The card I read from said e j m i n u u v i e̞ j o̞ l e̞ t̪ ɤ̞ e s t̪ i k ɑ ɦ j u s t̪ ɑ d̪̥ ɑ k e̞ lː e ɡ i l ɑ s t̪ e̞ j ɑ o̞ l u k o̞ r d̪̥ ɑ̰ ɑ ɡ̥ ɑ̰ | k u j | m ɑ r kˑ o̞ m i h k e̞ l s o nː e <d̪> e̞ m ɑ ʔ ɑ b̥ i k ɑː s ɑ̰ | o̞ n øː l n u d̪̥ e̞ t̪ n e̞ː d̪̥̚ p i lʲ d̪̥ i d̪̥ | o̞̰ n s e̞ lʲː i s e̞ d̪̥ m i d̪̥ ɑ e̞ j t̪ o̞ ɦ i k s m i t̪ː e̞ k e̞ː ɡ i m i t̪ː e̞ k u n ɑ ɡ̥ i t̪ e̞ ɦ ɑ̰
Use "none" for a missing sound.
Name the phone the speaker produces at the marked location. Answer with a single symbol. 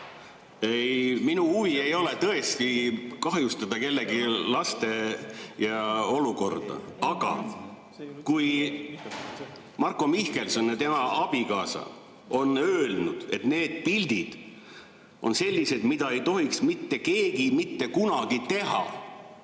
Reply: t̪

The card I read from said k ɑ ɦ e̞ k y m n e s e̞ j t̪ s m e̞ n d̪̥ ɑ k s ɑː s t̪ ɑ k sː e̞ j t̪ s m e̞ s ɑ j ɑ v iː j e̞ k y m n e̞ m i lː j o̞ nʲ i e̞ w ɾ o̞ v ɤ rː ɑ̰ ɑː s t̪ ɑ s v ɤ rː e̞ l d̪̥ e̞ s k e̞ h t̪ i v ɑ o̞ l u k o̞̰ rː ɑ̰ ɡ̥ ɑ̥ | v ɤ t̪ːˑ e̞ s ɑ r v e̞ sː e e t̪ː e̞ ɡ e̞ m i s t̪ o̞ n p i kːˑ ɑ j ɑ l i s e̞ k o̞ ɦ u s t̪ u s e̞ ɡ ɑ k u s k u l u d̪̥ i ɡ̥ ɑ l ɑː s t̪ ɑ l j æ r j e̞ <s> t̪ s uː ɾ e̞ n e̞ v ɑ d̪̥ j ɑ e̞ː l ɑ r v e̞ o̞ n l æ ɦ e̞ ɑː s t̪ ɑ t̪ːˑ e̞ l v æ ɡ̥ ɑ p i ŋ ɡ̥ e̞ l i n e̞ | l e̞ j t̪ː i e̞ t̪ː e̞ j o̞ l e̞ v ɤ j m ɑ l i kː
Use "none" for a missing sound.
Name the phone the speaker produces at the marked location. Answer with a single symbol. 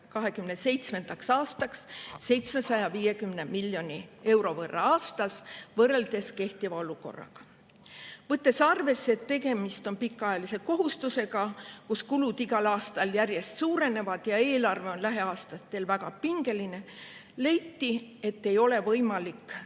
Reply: s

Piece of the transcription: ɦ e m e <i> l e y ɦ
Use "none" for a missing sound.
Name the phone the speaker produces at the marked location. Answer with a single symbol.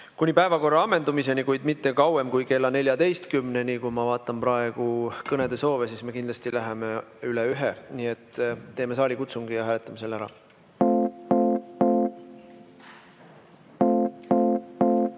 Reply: y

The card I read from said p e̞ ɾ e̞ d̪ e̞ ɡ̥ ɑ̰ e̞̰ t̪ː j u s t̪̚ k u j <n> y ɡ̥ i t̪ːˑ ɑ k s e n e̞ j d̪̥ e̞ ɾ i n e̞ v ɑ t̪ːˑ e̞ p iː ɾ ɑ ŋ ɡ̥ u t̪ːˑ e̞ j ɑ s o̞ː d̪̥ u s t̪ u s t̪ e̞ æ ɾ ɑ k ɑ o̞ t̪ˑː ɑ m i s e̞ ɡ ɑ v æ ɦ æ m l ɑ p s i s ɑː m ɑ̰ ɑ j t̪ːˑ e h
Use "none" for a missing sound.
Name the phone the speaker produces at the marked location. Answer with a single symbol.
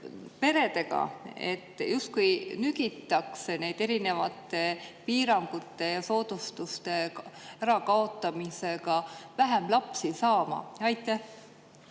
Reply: n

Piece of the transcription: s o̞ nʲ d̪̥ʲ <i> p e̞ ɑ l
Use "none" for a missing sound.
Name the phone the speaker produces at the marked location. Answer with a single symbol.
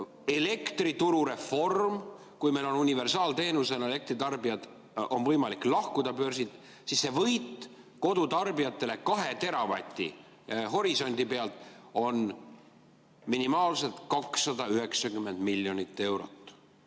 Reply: i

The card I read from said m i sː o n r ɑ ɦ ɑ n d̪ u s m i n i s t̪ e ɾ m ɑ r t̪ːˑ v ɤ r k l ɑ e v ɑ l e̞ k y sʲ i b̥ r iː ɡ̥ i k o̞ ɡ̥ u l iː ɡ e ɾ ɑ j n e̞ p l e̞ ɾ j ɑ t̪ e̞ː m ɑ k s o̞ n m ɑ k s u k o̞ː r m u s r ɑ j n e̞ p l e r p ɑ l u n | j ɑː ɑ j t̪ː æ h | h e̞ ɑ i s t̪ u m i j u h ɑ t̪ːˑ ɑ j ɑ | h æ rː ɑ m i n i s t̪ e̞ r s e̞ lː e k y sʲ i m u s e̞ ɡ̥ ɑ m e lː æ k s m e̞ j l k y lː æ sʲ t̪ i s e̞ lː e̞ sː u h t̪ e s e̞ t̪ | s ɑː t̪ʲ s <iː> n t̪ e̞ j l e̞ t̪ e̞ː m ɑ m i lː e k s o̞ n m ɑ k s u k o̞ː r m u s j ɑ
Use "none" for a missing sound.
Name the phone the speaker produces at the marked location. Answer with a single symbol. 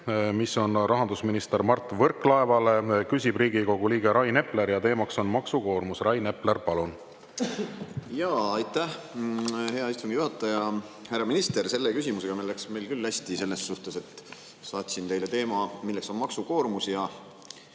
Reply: i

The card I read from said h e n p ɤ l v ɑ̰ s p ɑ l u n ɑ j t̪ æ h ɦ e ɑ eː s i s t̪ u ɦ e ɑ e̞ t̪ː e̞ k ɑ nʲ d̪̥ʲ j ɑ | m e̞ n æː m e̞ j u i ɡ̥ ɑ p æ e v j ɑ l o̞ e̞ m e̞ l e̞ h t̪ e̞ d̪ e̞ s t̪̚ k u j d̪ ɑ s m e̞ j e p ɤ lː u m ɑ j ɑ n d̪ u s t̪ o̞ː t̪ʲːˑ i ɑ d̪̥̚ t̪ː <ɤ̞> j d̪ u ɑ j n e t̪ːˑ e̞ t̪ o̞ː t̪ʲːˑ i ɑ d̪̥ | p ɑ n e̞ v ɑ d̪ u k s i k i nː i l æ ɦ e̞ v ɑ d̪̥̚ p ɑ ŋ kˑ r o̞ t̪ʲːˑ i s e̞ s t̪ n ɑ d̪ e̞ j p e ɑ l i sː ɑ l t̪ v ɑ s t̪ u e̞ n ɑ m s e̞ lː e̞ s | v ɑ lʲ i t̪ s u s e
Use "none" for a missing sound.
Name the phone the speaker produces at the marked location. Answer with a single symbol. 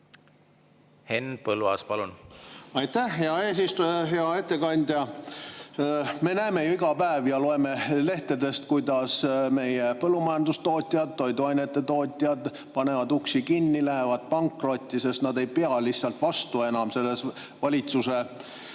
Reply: o̞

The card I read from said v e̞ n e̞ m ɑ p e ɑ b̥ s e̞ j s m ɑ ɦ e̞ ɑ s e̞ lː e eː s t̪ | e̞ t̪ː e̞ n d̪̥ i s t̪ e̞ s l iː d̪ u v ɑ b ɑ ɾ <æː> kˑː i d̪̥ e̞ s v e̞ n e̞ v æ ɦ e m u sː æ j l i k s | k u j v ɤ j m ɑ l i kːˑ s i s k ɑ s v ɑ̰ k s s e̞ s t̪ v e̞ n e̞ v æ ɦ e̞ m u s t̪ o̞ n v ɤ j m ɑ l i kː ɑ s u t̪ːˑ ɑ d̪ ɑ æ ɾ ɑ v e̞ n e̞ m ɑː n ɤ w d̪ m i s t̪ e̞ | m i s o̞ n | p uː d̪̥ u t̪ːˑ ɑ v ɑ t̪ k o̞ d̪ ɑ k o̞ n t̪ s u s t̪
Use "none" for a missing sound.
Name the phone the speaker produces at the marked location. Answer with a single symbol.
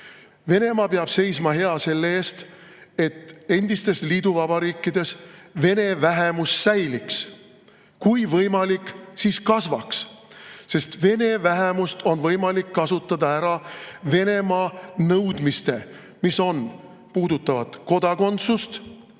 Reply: iː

